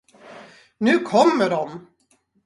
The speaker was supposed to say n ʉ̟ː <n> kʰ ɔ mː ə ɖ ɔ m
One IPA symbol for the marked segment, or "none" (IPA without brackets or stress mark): none